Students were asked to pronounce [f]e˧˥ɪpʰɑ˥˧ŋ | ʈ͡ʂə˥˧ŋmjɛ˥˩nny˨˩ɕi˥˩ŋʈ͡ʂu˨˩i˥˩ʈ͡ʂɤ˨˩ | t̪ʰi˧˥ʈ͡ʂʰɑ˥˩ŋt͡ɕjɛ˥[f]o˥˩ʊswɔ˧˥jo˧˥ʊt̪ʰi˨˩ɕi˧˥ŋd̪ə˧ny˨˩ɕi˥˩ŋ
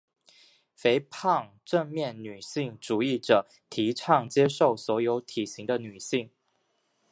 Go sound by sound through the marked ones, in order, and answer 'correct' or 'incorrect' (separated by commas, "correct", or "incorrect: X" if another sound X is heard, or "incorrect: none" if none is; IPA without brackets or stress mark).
correct, incorrect: ʂ